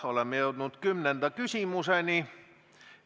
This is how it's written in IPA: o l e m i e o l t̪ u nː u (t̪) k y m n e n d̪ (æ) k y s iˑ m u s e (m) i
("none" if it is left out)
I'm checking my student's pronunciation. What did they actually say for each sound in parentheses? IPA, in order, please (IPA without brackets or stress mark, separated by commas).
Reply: t̪, æ, n